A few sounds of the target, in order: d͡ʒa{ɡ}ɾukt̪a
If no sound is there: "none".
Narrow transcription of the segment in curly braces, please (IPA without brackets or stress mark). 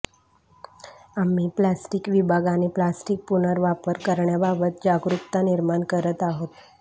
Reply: ɡ